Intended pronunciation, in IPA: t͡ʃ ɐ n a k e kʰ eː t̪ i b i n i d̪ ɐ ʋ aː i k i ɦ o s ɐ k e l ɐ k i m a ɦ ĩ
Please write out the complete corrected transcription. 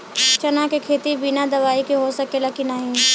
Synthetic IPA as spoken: t͡ʃ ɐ n a k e kʰ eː t̪ i b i n a d̪ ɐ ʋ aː i k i ɦ o s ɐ k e l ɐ k i n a ɦ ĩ